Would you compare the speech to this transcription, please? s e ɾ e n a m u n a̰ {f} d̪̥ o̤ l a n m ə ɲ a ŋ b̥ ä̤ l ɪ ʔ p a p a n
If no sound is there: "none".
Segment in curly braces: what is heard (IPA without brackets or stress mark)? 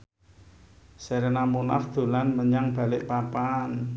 f